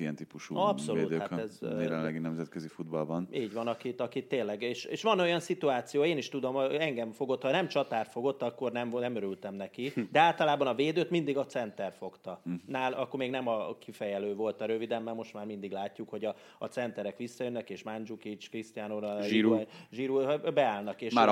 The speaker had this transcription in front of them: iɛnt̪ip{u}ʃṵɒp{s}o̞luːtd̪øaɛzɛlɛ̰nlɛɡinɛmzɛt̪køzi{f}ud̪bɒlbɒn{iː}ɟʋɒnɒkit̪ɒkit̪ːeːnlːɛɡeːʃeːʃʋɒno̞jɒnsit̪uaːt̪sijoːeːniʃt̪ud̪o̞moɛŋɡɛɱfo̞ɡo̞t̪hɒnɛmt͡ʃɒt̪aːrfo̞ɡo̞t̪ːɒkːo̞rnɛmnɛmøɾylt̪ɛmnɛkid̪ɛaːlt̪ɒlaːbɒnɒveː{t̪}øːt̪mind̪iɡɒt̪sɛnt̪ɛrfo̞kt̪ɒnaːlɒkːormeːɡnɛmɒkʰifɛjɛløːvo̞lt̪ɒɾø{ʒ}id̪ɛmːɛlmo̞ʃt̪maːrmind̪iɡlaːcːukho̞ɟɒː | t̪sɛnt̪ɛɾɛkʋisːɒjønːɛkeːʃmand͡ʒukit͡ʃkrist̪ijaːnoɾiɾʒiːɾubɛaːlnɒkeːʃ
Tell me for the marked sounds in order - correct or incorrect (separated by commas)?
correct, correct, correct, correct, incorrect, incorrect